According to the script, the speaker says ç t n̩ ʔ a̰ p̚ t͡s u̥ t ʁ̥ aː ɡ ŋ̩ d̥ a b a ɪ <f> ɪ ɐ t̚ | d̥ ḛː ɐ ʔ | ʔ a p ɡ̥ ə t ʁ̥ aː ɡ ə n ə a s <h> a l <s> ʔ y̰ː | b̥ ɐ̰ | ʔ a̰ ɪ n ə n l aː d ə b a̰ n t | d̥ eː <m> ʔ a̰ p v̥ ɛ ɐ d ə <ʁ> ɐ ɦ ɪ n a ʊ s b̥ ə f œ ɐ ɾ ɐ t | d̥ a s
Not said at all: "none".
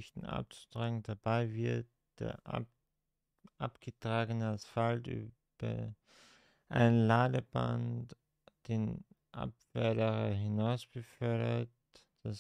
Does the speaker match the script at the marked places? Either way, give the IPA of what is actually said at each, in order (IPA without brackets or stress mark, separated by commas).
v, f, t, n, ʁ